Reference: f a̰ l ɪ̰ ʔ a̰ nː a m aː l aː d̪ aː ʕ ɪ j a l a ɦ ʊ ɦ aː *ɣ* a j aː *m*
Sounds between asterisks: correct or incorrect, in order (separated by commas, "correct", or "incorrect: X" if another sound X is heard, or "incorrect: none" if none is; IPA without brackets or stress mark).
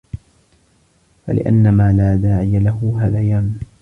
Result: incorrect: ð, correct